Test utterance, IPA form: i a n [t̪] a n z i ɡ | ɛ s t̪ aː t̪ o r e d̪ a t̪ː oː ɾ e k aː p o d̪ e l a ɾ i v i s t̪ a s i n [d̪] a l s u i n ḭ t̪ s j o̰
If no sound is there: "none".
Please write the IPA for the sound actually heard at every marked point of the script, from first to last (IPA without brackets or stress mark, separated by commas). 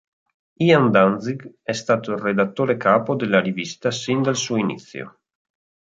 d̪, d̪